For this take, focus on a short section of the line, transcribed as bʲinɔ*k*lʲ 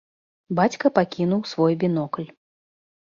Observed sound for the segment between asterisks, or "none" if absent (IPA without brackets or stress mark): k